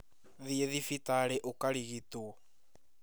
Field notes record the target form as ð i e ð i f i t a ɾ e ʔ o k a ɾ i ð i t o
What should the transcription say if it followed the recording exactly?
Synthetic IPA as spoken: ð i e ð i f i t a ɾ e ʔ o k a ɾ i ɣ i t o